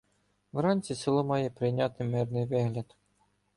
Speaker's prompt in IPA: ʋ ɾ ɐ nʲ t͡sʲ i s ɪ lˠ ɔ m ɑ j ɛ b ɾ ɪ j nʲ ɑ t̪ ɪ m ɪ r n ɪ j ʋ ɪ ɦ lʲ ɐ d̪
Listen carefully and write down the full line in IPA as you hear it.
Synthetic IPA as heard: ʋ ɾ ɑ nʲ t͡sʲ i s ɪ lˠ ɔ m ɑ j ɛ p ɾ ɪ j nʲ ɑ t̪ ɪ m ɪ r n ɪ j ʋ ɪ ɦ lʲ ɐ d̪